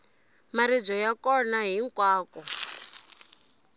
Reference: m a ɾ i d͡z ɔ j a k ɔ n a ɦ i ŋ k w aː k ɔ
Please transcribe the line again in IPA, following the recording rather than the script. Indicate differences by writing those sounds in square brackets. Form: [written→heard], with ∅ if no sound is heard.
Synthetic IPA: m a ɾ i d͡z ɔ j a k ɔ n a ɦ i ŋ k w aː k ɔ